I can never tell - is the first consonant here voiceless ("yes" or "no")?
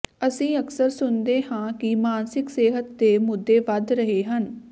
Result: yes